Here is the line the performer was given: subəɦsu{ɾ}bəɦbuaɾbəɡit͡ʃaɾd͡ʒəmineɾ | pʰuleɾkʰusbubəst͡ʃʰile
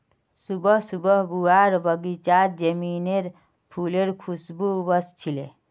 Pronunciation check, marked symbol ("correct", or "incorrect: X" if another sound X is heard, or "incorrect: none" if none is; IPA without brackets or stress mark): incorrect: none